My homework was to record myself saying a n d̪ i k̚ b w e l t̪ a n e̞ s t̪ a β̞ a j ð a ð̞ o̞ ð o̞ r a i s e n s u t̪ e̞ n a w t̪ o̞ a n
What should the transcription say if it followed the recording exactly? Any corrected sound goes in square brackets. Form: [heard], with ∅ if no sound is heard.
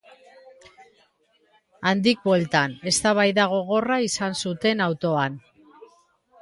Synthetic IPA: a n d̪ i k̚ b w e l t̪ a n e̞ s t̪ a β̞ a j ð a [ɣ̞] o̞ [ɣ] o̞ r a i s [a] n s u t̪ e̞ n a w t̪ o̞ a n